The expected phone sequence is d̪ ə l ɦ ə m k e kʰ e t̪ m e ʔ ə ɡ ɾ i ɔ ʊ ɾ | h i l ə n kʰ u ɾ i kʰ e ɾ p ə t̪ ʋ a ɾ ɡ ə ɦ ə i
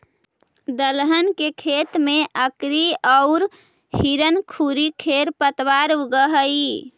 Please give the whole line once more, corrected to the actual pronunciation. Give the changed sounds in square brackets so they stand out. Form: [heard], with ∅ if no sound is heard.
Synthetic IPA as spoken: d̪ ə l ɦ ə [n] k e kʰ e t̪ m e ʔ ə [k] ɾ i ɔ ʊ ɾ | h i [ɾ] ə n kʰ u ɾ i kʰ e ɾ p ə t̪ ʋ a ɾ ɡ ə ɦ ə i